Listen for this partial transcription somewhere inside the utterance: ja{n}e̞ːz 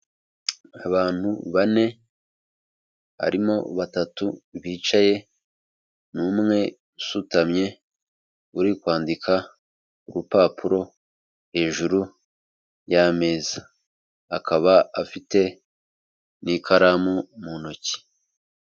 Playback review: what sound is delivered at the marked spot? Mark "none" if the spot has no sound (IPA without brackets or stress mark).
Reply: m